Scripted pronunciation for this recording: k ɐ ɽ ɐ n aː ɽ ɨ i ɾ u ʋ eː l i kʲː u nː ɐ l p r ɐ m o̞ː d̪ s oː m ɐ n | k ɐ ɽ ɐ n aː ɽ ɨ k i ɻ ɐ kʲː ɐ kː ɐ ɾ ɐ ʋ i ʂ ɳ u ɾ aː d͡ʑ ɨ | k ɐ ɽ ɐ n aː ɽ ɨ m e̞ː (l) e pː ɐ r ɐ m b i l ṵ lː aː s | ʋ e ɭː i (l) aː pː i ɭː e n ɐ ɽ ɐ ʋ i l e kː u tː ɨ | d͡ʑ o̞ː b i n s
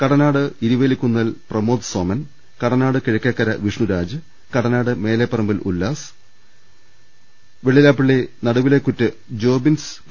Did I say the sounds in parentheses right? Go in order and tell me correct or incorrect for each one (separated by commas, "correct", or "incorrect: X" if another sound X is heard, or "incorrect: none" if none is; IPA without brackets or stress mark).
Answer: correct, correct